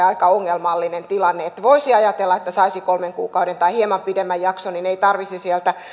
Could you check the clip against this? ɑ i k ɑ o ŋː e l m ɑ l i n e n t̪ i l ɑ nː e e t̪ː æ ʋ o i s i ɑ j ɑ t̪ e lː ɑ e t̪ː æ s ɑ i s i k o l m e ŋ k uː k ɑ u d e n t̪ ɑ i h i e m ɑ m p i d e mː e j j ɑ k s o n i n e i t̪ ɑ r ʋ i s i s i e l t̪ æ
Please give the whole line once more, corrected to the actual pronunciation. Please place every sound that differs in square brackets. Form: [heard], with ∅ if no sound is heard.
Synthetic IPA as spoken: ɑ i k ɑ o ŋː e l m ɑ [lː] i n e n t̪ i l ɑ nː e e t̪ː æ ʋ o i s i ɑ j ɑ t̪ e lː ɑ e t̪ː æ s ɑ i s i k o l m e ŋ k uː k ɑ u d e n t̪ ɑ i h i e m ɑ m p i d e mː [æ] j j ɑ k s o n i n e i t̪ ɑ r ʋ i s i s i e l t̪ æ